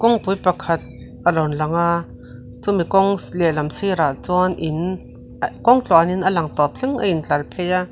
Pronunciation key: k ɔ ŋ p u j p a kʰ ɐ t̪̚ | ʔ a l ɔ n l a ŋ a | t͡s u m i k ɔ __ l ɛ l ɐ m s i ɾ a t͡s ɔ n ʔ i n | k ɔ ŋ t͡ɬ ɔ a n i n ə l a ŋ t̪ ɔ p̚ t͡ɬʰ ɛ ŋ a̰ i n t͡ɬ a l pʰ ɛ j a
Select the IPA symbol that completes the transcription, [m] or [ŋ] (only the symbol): ŋ